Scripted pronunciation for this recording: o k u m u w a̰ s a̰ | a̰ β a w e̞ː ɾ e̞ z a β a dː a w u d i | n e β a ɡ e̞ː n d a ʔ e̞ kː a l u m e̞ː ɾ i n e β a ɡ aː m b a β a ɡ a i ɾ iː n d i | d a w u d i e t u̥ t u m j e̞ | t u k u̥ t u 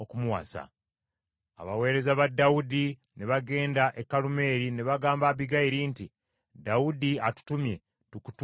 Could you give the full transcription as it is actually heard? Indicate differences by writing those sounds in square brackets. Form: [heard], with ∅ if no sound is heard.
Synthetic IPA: o k u m u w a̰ s a̰ | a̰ β a w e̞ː ɾ e̞ z a β a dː a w u d i | n e β a ɡ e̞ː n d a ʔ e̞ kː a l u m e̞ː ɾ i n e β a ɡ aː m b a β [i] ɡ a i ɾ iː n [t] i | d a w u d i [a] t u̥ t u m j e̞ | t u k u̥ t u